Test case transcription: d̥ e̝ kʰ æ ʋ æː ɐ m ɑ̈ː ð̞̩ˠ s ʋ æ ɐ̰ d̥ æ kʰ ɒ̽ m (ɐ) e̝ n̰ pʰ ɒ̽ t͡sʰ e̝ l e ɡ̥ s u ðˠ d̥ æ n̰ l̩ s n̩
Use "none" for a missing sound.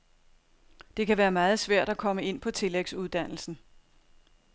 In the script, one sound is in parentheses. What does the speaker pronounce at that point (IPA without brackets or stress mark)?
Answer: ə